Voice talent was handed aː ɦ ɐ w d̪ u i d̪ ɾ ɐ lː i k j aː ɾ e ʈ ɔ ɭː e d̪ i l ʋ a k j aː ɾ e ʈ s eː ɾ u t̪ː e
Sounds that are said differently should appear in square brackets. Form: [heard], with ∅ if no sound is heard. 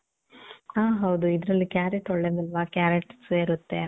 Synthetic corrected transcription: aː ɦ ɐ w d̪ u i d̪ ɾ ɐ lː i k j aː ɾ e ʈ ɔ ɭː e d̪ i l ʋ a k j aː ɾ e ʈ s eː ɾ u t̪ː e